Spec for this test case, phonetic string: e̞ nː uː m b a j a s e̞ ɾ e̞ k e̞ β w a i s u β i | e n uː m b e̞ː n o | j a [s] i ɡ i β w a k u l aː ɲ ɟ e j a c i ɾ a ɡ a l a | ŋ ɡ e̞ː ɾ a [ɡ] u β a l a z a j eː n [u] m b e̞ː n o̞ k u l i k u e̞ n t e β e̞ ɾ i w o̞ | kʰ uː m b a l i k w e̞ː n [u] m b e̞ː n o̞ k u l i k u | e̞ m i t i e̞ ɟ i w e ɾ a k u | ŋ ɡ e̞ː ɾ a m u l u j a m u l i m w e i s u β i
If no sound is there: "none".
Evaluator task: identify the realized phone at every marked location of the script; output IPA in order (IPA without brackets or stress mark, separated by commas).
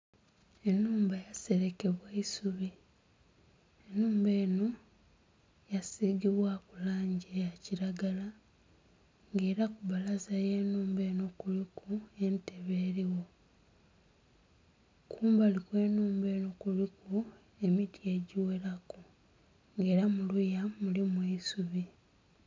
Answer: s, k, uː, uː